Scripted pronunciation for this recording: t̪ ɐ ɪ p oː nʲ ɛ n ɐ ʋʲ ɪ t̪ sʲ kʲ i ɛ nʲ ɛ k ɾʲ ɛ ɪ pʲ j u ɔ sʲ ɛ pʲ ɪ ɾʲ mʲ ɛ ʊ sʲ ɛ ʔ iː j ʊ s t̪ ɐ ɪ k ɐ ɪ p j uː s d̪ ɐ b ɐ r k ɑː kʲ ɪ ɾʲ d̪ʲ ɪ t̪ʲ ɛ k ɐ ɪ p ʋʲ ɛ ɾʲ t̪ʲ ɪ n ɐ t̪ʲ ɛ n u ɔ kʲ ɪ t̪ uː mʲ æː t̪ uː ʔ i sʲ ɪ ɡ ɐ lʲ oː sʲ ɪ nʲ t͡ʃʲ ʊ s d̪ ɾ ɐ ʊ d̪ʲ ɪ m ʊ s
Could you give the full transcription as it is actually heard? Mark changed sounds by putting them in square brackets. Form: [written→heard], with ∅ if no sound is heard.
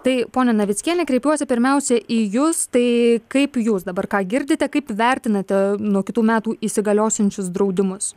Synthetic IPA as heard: t̪ ɐ ɪ p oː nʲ ɛ n ɐ ʋʲ ɪ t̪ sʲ kʲ i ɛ nʲ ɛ k ɾʲ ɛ ɪ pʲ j u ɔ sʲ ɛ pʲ ɪ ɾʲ mʲ ɛ ʊ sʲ ɛ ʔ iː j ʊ s t̪ ɐ ɪ k ɐ ɪ p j uː s d̪ ɐ b ɐ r k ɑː [kʲ→ɡʲ] ɪ ɾʲ d̪ʲ ɪ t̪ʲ ɛ k ɐ ɪ p ʋʲ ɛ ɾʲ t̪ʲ ɪ n ɐ t̪ʲ ɛ n u ɔ kʲ ɪ t̪ uː mʲ æː t̪ uː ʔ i sʲ ɪ ɡ ɐ lʲ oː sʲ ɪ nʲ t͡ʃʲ ʊ s d̪ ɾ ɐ ʊ d̪ʲ ɪ m ʊ s